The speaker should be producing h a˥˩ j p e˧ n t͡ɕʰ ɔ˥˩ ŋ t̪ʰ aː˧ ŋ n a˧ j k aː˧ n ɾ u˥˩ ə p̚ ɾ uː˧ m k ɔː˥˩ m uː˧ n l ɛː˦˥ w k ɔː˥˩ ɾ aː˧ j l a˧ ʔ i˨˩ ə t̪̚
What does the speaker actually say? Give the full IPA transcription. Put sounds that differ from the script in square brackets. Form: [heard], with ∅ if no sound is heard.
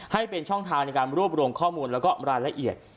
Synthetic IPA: h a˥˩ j p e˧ n t͡ɕʰ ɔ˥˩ ŋ t̪ʰ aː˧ ŋ n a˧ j k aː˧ n ɾ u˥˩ ə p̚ ɾ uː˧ m [kʰ] ɔː˥˩ m uː˧ n l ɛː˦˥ w k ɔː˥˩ ɾ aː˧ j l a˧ ʔ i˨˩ ə t̪̚

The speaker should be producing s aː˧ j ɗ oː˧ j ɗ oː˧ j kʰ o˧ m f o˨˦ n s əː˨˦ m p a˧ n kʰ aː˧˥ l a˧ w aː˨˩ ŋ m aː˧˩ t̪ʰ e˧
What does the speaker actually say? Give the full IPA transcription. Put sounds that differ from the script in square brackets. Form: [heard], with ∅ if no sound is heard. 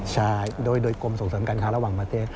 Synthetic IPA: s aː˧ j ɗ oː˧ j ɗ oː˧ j [k] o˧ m [s] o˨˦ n s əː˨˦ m [k] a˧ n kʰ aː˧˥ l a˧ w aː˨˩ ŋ m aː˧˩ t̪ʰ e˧

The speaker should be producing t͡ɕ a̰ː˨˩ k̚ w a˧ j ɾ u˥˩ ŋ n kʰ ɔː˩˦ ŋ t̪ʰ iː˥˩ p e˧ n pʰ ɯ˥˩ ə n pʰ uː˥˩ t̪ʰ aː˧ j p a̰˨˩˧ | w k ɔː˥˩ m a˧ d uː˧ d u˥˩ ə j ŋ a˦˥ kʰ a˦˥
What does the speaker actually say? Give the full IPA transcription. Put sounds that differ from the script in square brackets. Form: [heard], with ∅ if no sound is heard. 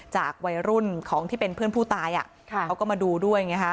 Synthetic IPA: t͡ɕ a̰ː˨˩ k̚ w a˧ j ɾ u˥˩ [∅] n kʰ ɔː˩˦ ŋ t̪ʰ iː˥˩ p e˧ n pʰ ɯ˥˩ ə n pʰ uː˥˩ [t̪] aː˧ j [ʔ] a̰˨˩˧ | w k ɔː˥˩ m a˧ d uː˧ d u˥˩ ə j ŋ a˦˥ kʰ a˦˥

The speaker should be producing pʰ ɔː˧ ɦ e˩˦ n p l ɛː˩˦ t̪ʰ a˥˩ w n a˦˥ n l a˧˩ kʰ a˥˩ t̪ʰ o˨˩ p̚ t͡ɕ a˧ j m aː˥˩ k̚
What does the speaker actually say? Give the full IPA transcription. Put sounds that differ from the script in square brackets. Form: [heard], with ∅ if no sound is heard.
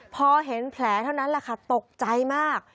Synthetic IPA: pʰ ɔː˧ ɦ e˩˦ n [pʰ] l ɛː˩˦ t̪ʰ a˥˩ w n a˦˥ n l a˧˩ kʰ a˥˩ [t̪] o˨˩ [k̚] t͡ɕ a˧ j m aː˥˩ k̚

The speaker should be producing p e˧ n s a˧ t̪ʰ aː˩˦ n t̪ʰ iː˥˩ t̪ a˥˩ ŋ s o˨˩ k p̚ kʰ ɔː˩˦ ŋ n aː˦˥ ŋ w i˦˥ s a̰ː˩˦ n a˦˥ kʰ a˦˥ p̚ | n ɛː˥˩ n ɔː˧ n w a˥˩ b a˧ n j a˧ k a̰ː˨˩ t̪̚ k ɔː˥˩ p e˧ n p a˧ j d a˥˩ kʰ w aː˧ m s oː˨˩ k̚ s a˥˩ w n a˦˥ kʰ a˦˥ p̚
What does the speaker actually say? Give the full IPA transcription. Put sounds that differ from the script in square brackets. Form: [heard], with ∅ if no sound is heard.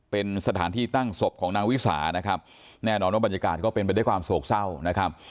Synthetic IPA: p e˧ n s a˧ t̪ʰ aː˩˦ n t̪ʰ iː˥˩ t̪ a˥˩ ŋ s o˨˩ [∅] p̚ kʰ ɔː˩˦ ŋ n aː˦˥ ŋ w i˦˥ s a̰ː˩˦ n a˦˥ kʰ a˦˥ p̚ | n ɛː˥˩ n ɔː˧ n w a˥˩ b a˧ n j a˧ k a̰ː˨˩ t̪̚ k ɔː˥˩ p e˧ n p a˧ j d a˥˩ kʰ w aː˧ m s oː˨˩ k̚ s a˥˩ w n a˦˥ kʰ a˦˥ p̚

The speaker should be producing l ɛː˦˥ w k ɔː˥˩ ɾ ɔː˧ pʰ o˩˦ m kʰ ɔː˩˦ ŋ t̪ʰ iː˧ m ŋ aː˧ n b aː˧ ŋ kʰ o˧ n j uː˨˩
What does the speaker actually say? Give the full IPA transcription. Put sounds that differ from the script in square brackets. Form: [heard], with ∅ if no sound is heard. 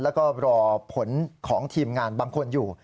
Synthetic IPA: l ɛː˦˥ w k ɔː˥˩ ɾ ɔː˧ pʰ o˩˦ [n] kʰ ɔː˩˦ ŋ t̪ʰ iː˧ m ŋ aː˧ n b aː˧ ŋ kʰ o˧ n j uː˨˩

